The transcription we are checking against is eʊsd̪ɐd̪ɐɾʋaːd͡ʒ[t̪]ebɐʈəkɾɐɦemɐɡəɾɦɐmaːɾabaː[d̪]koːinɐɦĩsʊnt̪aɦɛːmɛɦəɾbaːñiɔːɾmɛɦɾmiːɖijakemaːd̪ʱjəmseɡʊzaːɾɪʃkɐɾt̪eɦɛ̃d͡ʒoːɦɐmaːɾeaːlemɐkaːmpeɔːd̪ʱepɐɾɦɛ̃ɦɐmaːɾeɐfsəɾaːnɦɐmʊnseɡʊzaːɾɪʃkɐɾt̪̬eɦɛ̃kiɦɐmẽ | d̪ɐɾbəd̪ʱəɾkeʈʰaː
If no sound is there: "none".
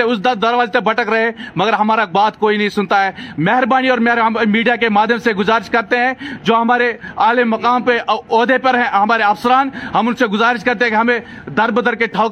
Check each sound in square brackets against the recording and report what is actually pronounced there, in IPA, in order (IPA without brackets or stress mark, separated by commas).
t̪, t̪